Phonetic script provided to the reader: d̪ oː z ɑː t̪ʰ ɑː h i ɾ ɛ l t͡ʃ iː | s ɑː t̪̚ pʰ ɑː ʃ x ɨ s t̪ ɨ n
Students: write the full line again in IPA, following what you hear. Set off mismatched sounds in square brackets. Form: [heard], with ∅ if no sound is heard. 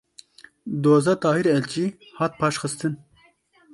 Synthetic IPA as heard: d̪ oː z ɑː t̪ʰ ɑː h i ɾ ɛ l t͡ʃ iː | [h] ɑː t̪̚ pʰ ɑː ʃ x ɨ s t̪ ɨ n